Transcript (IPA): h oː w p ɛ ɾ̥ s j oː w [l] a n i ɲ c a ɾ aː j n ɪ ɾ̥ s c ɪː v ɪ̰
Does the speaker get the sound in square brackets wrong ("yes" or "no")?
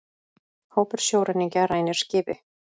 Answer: yes